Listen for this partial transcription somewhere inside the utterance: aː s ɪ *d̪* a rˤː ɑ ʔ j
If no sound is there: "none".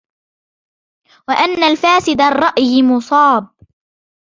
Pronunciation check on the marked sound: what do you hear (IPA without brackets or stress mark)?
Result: d̪